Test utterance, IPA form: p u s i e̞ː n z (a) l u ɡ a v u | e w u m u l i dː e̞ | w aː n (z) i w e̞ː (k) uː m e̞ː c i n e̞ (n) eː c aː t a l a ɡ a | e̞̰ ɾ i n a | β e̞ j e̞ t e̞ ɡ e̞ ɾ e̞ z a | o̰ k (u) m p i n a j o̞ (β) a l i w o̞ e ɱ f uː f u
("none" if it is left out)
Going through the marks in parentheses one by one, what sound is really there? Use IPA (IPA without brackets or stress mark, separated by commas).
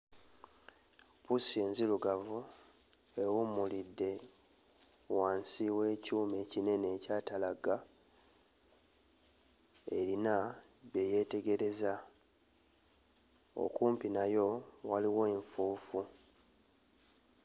i, s, c, n, uː, w